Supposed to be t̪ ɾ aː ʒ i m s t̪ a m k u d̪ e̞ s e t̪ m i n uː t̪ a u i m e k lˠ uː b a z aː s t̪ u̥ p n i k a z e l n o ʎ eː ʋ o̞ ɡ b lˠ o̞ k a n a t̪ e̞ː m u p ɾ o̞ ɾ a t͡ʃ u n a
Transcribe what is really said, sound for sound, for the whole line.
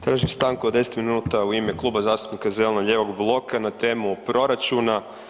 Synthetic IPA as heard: t̪ ɾ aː ʒ i m s t̪ a ŋ k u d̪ e̞ s e t̪ m i n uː t̪ a u i m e k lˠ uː b a z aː s t̪ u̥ p n i k a z e l n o ʎ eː ʋ o̞ ɡ b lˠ o̞ k a n a t̪ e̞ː m u p ɾ o̞ ɾ a t͡ʃ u n a